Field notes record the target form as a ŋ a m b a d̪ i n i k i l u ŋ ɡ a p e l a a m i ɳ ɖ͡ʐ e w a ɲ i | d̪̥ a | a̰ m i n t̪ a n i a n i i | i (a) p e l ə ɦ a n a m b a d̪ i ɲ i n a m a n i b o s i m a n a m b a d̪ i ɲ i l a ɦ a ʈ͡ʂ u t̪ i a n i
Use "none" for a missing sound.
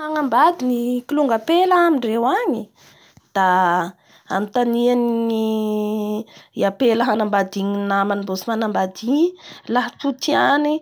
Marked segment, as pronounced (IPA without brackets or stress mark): a